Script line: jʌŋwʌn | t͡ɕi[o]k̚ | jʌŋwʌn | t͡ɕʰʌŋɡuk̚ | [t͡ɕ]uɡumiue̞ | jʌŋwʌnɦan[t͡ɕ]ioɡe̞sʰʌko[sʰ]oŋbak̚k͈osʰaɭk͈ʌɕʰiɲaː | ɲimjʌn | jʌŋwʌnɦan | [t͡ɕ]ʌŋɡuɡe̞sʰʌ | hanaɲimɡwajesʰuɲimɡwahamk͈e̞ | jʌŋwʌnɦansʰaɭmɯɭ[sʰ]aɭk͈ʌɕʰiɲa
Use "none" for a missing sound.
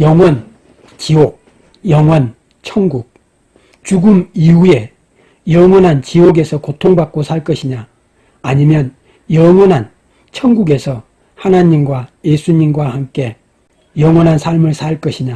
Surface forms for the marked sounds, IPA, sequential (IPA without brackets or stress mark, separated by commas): o, t͡ɕ, t͡ɕ, tʰ, t͡ɕʰ, sʰ